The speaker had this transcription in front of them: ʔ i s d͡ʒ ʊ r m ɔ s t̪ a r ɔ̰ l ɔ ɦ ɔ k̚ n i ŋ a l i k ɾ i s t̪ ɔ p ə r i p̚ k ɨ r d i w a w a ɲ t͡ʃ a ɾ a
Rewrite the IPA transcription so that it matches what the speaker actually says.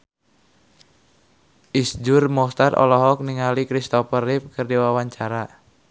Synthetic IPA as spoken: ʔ i s d͡ʒ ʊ r m ɔ s t̪ a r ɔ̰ l ɔ ɦ ɔ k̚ n i ŋ a l i k ɾ i s t̪ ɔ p ə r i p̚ k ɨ r d i w a w a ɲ t͡ʃ a ɾ a